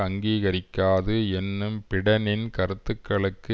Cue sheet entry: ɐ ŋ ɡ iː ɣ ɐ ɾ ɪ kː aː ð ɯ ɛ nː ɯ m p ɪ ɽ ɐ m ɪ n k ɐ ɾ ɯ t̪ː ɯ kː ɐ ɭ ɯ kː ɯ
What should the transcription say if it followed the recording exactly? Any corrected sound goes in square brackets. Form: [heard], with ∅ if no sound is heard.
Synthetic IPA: ɐ ŋ ɡ iː ɣ ɐ ɾ ɪ kː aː ð ɯ ɛ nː ɯ m p ɪ ɽ ɐ [n] ɪ n k ɐ ɾ ɯ t̪ː ɯ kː ɐ ɭ ɯ kː ɯ